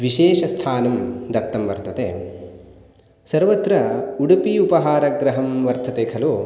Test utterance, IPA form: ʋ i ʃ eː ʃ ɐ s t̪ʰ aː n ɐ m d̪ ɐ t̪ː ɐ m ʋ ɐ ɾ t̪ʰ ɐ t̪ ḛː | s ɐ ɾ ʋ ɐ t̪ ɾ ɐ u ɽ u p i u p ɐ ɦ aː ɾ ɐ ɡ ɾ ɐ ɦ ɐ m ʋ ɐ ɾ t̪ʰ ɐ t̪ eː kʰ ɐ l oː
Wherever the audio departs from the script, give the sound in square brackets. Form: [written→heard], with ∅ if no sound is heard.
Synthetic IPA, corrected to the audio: ʋ i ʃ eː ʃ ɐ s t̪ʰ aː n ɐ m d̪ ɐ t̪ː ɐ m ʋ ɐ ɾ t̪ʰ ɐ t̪ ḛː | s ɐ ɾ ʋ ɐ t̪ ɾ ɐ u ɽ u p i u p ɐ ɦ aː ɾ ɐ ɡ ɾ ɐ ɦ ɐ m ʋ ɐ ɾ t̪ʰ ɐ t̪ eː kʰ ɐ l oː

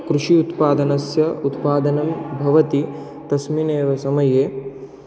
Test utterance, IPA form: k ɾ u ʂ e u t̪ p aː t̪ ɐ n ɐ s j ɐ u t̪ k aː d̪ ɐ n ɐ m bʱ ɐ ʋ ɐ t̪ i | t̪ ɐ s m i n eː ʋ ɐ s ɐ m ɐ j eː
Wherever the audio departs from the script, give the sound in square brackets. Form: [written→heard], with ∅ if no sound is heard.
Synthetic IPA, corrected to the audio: k ɾ u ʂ [e→i] u t̪ p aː [t̪→d̪] ɐ n ɐ s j ɐ u t̪ [k→p] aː d̪ ɐ n ɐ m bʱ ɐ ʋ ɐ t̪ i | t̪ ɐ s m i n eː ʋ ɐ s ɐ m ɐ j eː

